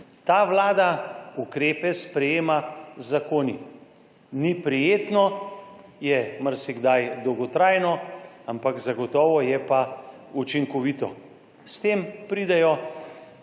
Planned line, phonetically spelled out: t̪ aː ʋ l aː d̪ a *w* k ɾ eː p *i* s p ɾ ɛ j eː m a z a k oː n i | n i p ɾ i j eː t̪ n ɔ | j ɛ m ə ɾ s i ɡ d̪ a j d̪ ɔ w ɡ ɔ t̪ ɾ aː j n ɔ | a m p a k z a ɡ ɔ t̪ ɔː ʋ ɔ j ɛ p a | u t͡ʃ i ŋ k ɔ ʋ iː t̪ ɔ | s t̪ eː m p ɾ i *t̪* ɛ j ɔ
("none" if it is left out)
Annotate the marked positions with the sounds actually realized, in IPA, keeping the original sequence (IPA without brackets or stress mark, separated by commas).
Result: u, ɛ, d̪